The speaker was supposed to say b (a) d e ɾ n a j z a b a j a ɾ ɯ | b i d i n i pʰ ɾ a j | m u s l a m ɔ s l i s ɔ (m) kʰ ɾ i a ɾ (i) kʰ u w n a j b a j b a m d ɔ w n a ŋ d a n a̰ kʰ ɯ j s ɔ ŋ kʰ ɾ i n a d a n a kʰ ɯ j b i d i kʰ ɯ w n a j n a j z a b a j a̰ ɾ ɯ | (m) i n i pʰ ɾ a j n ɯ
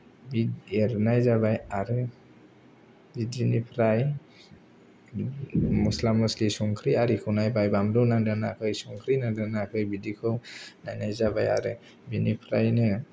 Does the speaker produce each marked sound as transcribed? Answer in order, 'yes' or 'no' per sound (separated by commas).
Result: no, no, yes, no